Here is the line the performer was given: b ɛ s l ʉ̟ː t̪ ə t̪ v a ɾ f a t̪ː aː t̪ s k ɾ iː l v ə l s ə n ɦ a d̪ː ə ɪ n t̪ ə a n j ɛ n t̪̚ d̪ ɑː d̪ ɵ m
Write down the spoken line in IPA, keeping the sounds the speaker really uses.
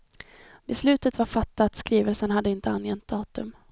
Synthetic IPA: b ɛ s l ʉ̟ː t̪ ə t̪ v a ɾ f a t̪ː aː t̪ s k ɾ iː v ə l s ə n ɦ a d̪ː ə ɪ n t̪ ə a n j ɛ n t̪̚ d̪ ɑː t̪ ɵ m